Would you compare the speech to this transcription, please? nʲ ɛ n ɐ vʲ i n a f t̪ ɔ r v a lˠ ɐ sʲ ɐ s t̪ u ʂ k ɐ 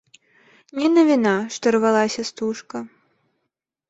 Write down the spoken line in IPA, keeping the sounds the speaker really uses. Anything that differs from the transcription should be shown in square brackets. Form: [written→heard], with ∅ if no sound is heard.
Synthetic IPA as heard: nʲ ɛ n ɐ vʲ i n a [f→ʂ] t̪ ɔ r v a lˠ [ɐ→a] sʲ ɐ s t̪ u ʂ k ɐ